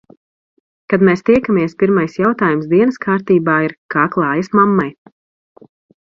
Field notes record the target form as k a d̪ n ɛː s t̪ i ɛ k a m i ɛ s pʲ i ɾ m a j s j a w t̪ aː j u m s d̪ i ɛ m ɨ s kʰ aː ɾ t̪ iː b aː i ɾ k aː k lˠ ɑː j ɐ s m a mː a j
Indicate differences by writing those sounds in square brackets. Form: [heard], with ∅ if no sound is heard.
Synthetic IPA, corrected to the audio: k a d̪ [m] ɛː s t̪ i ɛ k a m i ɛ s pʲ i ɾ m a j s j a w t̪ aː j u m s d̪ i ɛ [n] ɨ s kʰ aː ɾ t̪ iː b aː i ɾ k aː k lˠ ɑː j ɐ s m a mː a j